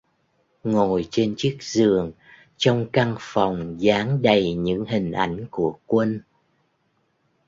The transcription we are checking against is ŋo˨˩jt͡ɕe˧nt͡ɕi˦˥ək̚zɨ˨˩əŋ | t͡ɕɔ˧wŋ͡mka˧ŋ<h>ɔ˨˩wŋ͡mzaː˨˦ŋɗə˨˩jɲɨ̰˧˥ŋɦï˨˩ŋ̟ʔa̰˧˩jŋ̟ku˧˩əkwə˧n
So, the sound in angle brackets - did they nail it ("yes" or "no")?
no